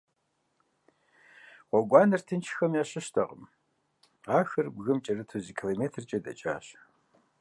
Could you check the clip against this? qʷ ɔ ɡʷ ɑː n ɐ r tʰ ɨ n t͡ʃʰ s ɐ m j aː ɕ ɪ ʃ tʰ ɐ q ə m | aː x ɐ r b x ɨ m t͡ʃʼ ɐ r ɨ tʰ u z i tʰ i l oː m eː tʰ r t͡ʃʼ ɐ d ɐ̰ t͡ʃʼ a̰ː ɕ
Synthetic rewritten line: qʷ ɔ ɡʷ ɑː n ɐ r tʰ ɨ n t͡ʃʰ x ɐ m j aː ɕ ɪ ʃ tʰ ɐ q ə m | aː x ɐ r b ɣ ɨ m t͡ʃʼ ɐ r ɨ tʰ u z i kʰ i l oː m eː tʰ r t͡ʃʼ ɐ d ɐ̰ t͡ʃʼ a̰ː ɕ